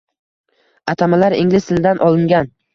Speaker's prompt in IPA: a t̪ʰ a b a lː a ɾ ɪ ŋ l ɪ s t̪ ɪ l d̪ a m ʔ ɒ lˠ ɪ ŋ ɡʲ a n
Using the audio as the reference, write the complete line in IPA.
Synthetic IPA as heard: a t̪ʰ a m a l a ɾ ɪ ŋ l ɪ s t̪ ɪ l d̪ a n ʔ ɒ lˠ ɪ ŋ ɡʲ a n

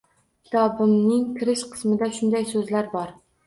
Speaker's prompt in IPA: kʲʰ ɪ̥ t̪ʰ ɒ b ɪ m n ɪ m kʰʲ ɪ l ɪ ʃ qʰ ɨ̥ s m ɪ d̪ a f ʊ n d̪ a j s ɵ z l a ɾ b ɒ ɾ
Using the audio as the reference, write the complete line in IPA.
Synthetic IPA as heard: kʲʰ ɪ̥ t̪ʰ ɒ b ɪ m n ɪ ŋ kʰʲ ɪ ɾ ɪ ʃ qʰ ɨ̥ s m ɪ d̪ a ʃ ʊ n d̪ a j s ɵ z l a ɾ b ɒ ɾ

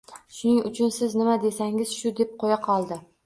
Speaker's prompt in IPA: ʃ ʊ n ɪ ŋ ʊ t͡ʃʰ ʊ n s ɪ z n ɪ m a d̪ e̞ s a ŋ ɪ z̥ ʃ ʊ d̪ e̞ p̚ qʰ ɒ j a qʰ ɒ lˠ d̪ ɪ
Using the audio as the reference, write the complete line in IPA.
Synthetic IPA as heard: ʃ ʊ n ɪ ŋ ʊ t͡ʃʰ ʊ n s ɪ z n ɪ m a d̪ e̞ s a ŋ ɪ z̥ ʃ ʊ d̪ e̞ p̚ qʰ o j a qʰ ɒ lˠ d̪ ɪ

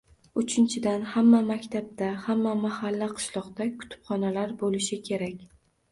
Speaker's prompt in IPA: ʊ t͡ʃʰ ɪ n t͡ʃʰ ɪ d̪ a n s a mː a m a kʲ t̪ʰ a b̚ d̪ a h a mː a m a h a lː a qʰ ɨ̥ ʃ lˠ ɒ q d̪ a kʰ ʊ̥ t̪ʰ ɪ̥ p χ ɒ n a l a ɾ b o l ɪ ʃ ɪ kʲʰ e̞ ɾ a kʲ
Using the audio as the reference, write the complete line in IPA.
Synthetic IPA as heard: ʊ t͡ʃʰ ɪ n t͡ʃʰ ɪ d̪ a n h a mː a m a kʲ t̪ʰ a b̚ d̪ a h a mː a m a h a lː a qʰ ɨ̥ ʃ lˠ ɒ q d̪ a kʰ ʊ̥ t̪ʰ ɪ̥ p χ ɒ n a l a ɾ b o l ɪ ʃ ɪ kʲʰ e̞ ɾ a kʲ

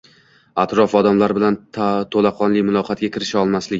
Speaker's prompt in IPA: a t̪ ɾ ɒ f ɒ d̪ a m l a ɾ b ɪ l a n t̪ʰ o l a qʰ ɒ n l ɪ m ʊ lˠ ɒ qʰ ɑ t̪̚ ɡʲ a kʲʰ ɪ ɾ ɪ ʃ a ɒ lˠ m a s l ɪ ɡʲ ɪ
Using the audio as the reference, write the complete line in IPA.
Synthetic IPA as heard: a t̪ ɾ ɒ f ɒ d̪ a m l a ɾ b ɪ l a n t̪ʰ o l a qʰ ɒ n l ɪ m ʊ lˠ ɒ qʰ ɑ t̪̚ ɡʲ a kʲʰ ɪ ɾ ɪ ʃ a ɒ lˠ m a s l ɪ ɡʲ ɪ

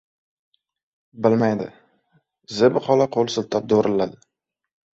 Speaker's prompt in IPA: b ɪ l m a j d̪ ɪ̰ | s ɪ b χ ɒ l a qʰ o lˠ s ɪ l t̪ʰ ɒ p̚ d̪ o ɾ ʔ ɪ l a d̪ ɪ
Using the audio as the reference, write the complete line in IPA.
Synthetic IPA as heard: b ɪ l m a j d̪ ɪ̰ | z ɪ b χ ɒ l a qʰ o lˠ s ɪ l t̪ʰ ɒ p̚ d̪ o ɾ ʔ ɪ l a d̪ ɪ

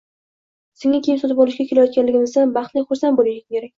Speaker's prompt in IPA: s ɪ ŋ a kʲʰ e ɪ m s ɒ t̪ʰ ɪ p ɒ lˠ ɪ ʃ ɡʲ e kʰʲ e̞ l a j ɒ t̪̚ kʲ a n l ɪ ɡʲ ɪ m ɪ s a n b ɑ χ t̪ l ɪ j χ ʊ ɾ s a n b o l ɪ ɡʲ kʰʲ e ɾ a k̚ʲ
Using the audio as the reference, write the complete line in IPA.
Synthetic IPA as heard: s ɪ ŋ a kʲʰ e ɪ m s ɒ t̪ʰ ɪ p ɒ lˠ ɪ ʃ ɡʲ a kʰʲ e̞ l a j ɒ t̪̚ kʲ a n l ɪ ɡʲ ɪ n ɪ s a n b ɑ χ t̪ l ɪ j χ ʊ ɾ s a n b o l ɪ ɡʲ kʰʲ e ɾ a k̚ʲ

